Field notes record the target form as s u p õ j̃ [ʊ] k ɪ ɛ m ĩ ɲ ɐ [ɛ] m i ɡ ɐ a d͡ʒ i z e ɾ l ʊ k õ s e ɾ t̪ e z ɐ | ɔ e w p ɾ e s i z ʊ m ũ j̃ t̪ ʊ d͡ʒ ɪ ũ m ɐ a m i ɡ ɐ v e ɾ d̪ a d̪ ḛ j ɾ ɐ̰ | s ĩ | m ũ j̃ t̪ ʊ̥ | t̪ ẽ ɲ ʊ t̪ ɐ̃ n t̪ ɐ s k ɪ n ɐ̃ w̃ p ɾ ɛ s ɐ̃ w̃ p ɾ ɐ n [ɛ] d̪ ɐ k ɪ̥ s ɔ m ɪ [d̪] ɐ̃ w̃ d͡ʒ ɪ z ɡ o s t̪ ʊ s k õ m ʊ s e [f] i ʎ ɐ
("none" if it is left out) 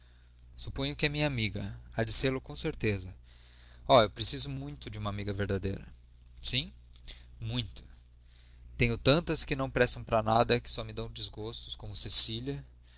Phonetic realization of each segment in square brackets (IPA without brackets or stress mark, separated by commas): ʊ, a, a, d̪, s